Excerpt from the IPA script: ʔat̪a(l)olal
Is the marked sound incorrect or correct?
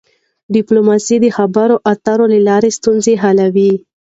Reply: incorrect